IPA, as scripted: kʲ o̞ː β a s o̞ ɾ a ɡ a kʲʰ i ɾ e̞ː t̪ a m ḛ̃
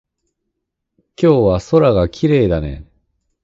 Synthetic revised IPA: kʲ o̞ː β a s o̞ ɾ a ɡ a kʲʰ i ɾ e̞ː d̪ a n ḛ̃